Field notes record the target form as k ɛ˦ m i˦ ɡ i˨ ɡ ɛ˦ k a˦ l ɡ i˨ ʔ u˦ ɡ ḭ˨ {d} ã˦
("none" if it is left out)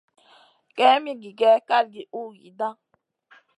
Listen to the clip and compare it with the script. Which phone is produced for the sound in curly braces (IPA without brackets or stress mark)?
d